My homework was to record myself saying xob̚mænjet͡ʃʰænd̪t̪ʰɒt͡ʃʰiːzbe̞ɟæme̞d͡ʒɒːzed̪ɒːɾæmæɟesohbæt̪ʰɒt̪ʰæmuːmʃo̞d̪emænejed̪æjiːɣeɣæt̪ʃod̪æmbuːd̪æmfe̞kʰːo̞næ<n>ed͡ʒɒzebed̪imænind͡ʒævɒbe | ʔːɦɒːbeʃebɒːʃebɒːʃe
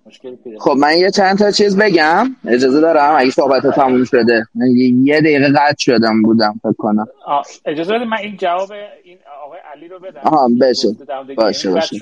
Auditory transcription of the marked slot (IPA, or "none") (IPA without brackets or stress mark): m